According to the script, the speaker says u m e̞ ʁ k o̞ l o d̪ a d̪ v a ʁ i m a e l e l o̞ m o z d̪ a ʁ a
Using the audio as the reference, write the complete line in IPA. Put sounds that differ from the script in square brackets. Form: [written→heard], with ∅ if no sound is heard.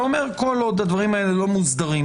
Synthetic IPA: [u→o] m e̞ ʁ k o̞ l o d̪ a d̪ v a ʁ i m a e l e l o̞ m [o→u] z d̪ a ʁ [a→i]

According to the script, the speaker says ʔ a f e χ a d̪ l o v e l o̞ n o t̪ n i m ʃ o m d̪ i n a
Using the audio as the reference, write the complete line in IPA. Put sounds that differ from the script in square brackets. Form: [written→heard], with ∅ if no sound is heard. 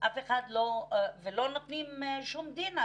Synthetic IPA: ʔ a f e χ a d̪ l o v e l o̞ n o t̪ n i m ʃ [o→u] m d̪ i n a

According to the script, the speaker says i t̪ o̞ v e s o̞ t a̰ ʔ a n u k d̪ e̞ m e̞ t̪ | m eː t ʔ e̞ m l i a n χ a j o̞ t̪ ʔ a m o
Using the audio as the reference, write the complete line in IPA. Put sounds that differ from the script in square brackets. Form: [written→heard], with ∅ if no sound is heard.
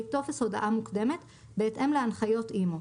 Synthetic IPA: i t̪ o̞ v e s o̞ [t→d] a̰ ʔ a [n→m] u k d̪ e̞ m e̞ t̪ | [m→b] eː t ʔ e̞ m l [i→e] a n χ a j o̞ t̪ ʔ [a→i] m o

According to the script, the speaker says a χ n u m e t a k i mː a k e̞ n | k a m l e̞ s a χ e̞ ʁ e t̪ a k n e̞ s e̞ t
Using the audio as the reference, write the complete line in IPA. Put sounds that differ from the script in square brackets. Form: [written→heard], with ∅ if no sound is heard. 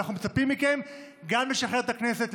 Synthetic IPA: a χ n u m e [t→t͡s] a [k→p] i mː [a→i] k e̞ [n→m] | [k→ɡ] a m l e̞ [s→ʃ] a χ e̞ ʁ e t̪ a k n e̞ s e̞ t

